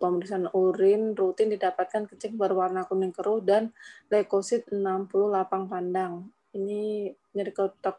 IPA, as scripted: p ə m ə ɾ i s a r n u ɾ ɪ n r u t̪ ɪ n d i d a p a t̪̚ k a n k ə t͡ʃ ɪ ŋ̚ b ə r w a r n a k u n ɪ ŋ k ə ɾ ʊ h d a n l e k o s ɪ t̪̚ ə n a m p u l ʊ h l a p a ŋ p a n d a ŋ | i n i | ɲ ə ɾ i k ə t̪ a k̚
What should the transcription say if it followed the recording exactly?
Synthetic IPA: p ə m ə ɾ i s a n u ɾ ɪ n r u t̪ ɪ n d i d a p a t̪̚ k a n k ə t͡ʃ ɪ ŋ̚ b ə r w a r n a k u n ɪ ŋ k ə ɾ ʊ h d a n l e k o s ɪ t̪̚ ə n a m p u l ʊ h l a p a ŋ p a n d a ŋ | i n i | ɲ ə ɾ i k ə t̪ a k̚